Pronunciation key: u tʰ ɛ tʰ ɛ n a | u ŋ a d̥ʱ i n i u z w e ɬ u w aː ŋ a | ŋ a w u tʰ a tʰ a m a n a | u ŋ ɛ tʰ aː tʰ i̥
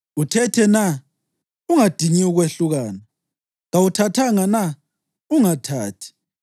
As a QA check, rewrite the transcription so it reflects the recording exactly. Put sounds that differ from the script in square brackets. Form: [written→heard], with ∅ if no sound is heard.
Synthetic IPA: u tʰ ɛ tʰ ɛ n a | u ŋ a d̥ʱ i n i u [z→ɣ] w e ɬ u [w→ɣ] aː [ŋ→n] a | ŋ a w u tʰ a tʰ a [m→ŋ] a n a | u ŋ [ɛ→a] tʰ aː tʰ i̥